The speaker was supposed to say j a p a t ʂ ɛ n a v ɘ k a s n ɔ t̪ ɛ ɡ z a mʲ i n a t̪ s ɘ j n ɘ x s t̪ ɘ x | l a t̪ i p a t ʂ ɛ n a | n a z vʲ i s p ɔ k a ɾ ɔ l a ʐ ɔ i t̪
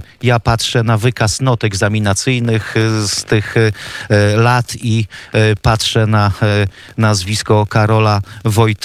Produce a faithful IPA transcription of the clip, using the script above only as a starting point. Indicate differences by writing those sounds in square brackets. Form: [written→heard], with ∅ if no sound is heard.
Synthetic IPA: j a p a t ʂ ɛ n a v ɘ k a s n ɔ t̪ ɛ ɡ z a mʲ i n a t̪ s ɘ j n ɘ x s t̪ ɘ x | l a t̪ i p a t ʂ ɛ n a | n a z vʲ i s [p→k] ɔ k a ɾ ɔ l a [ʐ→v] ɔ [i→j] t̪